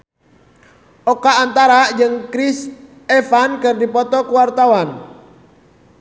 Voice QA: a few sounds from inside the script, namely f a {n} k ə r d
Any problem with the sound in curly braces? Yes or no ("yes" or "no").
no